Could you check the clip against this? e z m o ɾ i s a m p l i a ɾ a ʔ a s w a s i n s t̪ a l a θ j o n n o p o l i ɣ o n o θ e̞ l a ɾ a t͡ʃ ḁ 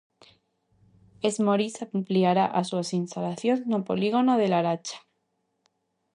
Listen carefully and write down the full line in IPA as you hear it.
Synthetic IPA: e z m o ɾ i s a m p l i a ɾ a ʔ a s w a s i n s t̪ a l a θ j o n n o p o l i ɣ o n o ð e̞ l a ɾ a t͡ʃ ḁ